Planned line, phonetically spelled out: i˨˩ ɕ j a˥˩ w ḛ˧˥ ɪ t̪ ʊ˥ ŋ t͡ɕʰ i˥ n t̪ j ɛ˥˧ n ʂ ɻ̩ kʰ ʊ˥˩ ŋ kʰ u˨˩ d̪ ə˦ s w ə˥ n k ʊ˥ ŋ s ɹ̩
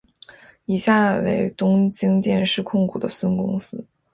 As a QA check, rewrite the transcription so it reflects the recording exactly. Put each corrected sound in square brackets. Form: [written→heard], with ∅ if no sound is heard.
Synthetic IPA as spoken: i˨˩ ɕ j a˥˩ w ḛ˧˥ ɪ t̪ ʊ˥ ŋ [t͡ɕʰ→t͡ɕ] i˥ [n→ŋ] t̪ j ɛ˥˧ n ʂ ɻ̩ kʰ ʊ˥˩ ŋ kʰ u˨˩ d̪ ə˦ s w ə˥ n k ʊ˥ ŋ s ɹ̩

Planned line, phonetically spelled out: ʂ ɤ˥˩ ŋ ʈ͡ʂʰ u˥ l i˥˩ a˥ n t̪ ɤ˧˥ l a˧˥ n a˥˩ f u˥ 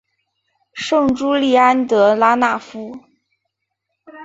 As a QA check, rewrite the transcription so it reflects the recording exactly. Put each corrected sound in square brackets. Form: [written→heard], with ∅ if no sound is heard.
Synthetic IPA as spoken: ʂ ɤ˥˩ ŋ [ʈ͡ʂʰ→ʈ͡ʂ] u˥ l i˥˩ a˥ n t̪ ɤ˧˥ l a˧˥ n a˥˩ f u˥

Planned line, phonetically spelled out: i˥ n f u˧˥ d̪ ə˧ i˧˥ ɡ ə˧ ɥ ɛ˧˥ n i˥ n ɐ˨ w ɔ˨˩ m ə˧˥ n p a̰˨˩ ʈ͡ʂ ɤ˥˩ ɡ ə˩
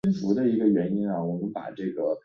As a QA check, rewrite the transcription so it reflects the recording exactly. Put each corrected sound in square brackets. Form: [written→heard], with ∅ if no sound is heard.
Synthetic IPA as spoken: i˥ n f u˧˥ d̪ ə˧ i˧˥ ɡ ə˧ ɥ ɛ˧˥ n i˥ n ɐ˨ w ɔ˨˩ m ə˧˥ n p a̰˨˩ ʈ͡ʂ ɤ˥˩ ɡ ə˩

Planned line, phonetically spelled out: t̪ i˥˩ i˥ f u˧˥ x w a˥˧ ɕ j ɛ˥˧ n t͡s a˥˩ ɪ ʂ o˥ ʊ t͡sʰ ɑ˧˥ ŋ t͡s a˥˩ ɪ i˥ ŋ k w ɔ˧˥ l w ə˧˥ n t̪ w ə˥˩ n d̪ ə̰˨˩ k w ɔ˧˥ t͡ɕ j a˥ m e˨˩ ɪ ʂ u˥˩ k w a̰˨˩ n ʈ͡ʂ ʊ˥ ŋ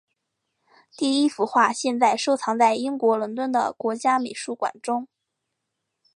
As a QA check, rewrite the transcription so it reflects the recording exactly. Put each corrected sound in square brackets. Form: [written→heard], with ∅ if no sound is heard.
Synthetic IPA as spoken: t̪ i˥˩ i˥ f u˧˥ x w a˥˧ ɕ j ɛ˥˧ n t͡s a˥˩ ɪ ʂ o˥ ʊ t͡sʰ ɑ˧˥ ŋ t͡s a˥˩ ɪ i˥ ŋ k w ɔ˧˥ l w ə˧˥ n t̪ w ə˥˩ n d̪ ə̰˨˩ k w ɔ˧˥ t͡ɕ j a˥ m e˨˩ ɪ ʂ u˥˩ k w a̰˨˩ n ʈ͡ʂ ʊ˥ ŋ

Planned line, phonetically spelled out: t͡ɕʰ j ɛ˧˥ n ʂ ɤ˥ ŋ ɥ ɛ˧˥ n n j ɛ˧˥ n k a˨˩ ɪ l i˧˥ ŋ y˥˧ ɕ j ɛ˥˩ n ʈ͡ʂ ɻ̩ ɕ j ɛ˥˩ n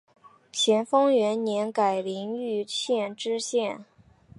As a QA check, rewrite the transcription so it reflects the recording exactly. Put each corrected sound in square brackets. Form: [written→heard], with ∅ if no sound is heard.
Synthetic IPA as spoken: t͡ɕʰ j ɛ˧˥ n [ʂ→f] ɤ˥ ŋ ɥ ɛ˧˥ n n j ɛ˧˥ n k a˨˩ ɪ l i˧˥ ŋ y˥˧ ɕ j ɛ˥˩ n ʈ͡ʂ ɻ̩ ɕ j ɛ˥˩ n

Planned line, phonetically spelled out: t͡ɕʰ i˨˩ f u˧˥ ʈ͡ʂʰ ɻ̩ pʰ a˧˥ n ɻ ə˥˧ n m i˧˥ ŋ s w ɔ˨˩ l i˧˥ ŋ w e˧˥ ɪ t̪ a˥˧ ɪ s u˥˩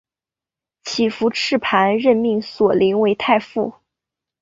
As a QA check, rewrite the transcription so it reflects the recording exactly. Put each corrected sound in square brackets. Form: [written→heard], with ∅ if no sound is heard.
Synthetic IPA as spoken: t͡ɕʰ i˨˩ f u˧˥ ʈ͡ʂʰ ɻ̩ pʰ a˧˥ n ɻ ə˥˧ n m [i˧˥→i˥˩] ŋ s w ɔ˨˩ l i˧˥ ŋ w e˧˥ ɪ [t̪→t̪ʰ] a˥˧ ɪ [s→f] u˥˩

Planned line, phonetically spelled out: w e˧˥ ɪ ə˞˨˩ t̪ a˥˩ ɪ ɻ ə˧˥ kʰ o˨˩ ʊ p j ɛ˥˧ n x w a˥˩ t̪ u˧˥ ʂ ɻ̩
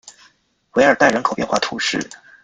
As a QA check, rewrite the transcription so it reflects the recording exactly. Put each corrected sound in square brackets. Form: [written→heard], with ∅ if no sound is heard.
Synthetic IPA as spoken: w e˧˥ ɪ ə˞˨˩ t̪ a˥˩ ɪ ɻ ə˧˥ kʰ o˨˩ ʊ p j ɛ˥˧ n x w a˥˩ [t̪→t̪ʰ] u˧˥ ʂ ɻ̩

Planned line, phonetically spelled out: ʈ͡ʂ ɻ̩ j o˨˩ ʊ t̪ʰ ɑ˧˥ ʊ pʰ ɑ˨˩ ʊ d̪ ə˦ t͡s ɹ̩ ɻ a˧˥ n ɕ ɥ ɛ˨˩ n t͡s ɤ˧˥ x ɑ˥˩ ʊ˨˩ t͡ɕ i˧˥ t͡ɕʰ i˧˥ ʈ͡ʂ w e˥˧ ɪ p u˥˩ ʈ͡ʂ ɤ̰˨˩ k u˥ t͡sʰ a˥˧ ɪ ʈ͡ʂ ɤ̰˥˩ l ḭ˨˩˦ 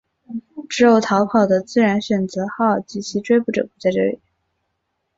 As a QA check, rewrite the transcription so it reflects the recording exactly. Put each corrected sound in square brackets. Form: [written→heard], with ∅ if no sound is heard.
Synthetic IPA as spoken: ʈ͡ʂ ɻ̩ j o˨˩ ʊ t̪ʰ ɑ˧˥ ʊ pʰ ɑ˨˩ ʊ d̪ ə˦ t͡s ɹ̩ ɻ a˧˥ n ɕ ɥ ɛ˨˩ n t͡s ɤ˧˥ x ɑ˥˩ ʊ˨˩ t͡ɕ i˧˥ t͡ɕʰ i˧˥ ʈ͡ʂ w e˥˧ ɪ p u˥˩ ʈ͡ʂ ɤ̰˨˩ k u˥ [t͡sʰ→t͡s] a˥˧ ɪ ʈ͡ʂ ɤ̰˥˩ l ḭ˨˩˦

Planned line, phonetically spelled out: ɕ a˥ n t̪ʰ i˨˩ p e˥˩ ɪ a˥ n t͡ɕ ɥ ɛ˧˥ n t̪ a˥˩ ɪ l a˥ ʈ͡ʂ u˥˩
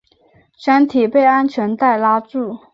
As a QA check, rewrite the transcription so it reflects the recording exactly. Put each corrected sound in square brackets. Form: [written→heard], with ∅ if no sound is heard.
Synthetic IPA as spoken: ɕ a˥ n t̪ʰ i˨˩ p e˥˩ ɪ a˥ n [t͡ɕ→t͡ɕʰ] ɥ ɛ˧˥ n t̪ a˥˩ ɪ l a˥ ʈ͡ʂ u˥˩

